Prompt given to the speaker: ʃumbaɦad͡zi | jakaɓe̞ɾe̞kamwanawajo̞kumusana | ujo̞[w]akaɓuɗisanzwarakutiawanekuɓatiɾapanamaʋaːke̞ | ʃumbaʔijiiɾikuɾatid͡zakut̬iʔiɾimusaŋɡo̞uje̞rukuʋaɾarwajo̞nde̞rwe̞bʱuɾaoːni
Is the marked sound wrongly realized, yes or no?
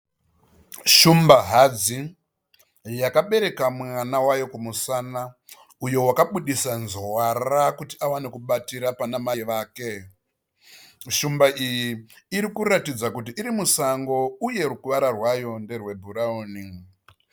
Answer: no